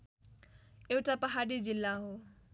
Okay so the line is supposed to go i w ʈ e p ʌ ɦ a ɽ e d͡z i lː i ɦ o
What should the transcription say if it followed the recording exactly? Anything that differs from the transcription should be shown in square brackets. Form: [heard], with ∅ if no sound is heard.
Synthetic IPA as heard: [e] w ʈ [a] p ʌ ɦ a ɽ [i] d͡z i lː [a] ɦ o